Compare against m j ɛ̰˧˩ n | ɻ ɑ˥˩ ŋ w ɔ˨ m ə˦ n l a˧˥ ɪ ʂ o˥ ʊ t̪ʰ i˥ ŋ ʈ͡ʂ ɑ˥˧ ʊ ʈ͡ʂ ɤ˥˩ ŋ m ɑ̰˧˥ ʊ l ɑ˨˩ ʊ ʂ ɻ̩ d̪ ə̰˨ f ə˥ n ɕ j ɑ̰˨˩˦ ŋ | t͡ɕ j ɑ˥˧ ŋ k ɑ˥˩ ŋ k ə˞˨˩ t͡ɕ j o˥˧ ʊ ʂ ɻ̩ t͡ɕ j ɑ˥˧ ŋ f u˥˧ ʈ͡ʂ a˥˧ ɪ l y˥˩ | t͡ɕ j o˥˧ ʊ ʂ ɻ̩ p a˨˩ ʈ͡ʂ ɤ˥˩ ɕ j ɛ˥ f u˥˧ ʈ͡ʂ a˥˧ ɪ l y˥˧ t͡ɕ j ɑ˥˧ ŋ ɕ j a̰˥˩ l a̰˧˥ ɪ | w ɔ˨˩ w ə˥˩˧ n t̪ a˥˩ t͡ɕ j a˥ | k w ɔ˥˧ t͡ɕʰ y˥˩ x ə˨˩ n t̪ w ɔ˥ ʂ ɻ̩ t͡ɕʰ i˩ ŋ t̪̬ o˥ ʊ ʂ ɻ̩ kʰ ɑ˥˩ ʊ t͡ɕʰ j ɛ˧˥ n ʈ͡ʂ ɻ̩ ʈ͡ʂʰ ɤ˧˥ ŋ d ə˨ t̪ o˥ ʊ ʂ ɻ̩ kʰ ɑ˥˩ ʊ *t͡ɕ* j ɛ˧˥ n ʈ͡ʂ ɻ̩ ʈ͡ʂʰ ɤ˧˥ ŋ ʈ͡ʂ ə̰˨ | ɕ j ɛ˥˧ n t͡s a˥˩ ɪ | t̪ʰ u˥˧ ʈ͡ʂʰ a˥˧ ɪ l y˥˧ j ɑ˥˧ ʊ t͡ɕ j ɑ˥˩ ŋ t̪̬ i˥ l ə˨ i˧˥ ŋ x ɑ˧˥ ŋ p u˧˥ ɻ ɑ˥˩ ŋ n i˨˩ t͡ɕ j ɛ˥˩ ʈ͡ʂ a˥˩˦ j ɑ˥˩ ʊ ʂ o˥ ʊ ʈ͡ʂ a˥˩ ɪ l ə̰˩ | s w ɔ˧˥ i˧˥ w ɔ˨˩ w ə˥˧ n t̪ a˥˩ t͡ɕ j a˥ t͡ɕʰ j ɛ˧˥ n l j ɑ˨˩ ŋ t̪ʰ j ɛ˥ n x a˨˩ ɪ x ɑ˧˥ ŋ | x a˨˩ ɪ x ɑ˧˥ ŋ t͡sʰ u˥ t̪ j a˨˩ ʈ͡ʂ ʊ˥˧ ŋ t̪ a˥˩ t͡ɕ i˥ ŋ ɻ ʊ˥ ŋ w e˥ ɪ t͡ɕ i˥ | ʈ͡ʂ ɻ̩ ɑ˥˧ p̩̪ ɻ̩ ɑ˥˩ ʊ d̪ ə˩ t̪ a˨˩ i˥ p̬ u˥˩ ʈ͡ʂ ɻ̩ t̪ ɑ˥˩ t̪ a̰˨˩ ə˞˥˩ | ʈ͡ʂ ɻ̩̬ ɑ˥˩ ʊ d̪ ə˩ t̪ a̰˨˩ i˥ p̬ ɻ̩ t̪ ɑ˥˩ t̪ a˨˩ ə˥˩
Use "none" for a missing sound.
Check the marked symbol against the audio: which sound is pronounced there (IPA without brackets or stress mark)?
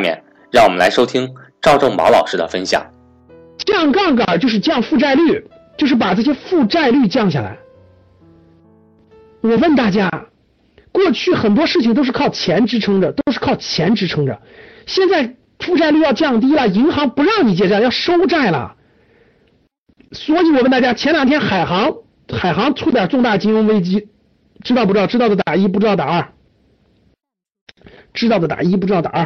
t͡ɕʰ